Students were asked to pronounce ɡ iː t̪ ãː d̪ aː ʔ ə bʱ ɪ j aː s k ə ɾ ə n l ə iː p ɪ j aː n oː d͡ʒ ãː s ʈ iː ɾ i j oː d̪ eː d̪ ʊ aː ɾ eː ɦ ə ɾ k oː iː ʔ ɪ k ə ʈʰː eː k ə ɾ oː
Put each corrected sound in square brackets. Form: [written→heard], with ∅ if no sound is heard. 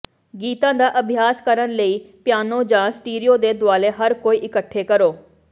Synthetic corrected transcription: ɡ iː t̪ ãː d̪ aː ʔ ə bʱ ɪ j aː s k ə ɾ ə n l ə iː p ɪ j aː n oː d͡ʒ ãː s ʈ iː ɾ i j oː d̪ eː d̪ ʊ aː [ɾ→l] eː ɦ ə ɾ k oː iː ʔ ɪ k ə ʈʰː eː k ə ɾ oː